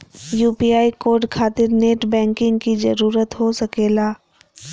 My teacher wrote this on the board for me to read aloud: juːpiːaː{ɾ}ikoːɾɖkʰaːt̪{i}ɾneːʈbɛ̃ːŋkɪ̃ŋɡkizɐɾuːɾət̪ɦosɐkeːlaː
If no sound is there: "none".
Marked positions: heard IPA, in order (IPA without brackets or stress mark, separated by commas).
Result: none, ɪ